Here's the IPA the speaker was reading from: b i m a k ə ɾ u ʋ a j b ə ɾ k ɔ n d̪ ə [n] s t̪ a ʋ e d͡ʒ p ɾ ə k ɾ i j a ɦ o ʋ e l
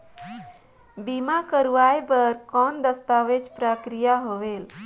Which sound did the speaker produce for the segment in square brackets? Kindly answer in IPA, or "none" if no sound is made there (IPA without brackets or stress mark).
none